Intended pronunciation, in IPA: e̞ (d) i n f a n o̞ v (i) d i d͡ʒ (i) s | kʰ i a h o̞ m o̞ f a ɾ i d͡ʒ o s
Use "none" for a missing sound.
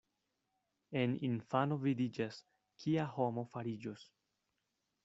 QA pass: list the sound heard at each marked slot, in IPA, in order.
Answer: n, i, a

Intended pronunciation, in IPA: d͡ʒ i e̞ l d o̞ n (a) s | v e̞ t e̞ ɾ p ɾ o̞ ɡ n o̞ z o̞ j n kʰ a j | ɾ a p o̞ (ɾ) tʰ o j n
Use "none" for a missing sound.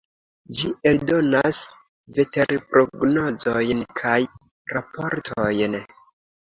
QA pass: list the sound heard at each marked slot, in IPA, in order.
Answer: a, ɾ

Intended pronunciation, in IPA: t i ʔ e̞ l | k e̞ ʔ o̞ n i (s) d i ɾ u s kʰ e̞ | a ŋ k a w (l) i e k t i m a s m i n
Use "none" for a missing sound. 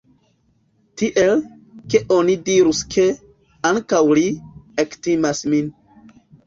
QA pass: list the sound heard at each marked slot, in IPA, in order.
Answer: none, l

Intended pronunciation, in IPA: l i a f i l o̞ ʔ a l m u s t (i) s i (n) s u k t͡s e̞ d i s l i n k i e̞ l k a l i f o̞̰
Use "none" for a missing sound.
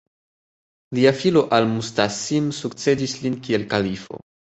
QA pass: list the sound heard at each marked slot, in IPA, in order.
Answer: a, m

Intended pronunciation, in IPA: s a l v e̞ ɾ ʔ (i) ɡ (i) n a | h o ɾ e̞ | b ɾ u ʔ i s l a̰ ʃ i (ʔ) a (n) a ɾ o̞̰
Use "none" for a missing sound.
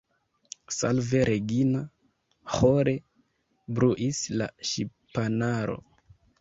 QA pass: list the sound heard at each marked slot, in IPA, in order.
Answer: e, i, p, n

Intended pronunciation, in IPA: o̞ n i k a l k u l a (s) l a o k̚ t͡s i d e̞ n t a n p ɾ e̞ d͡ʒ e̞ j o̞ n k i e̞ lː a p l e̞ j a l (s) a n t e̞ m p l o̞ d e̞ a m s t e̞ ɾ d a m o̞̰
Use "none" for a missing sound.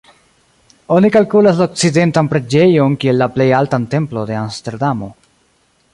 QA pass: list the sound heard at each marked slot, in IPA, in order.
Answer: s, t

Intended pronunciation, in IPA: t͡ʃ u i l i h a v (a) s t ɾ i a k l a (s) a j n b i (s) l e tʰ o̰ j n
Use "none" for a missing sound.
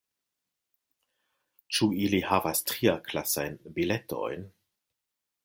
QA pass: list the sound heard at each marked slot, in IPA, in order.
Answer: a, s, none

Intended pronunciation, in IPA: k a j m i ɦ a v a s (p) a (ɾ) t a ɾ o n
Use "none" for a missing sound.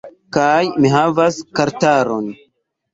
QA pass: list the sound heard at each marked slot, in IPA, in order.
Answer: k, ɾ

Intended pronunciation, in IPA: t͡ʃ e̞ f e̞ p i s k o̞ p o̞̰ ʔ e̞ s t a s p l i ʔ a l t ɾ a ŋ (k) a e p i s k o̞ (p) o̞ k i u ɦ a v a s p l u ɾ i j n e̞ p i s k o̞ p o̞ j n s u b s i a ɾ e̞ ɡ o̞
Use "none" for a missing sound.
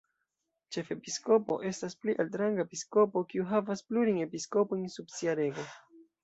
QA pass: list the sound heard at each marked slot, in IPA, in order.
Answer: ɡ, p

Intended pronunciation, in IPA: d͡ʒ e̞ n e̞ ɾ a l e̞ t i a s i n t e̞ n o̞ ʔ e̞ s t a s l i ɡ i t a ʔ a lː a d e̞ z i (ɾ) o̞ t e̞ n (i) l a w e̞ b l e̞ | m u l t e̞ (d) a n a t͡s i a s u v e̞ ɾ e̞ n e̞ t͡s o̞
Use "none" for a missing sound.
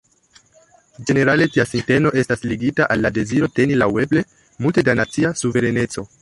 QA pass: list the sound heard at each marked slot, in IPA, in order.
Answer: ɾ, i, d

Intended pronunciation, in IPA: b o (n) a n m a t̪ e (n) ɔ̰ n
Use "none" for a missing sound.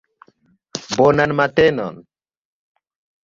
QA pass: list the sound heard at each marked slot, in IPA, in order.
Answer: n, n

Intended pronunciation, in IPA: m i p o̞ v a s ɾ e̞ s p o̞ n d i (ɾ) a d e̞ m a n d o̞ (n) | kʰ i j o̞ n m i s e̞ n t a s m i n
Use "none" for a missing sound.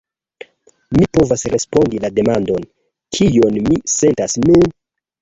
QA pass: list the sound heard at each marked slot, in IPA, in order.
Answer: l, n

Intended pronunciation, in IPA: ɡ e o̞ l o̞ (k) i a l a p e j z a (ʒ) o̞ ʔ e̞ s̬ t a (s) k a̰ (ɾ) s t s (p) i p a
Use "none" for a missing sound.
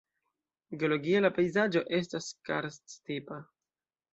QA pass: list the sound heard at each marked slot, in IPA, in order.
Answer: ɡ, d͡ʒ, s, ɾ, t

